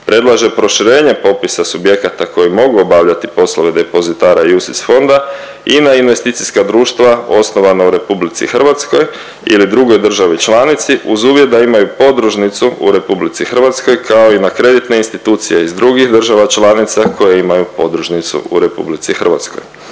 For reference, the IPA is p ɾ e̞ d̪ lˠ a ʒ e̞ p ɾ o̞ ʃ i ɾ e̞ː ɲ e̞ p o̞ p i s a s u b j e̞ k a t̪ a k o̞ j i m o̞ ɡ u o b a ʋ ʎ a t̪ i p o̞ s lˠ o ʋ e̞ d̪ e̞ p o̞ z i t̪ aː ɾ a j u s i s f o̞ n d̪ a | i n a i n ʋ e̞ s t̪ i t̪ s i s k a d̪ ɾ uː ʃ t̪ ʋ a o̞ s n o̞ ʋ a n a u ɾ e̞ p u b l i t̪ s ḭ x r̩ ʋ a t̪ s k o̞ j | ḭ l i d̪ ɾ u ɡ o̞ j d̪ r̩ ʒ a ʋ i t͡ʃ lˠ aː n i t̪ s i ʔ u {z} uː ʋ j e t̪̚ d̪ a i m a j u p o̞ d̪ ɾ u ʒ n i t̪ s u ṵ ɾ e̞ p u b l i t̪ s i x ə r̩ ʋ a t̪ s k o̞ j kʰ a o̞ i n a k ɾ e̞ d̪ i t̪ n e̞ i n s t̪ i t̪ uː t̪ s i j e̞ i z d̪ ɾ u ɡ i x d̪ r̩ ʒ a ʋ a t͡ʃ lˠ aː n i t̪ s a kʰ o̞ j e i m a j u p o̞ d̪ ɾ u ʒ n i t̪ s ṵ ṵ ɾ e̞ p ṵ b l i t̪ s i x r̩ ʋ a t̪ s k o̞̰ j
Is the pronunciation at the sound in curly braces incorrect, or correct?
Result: correct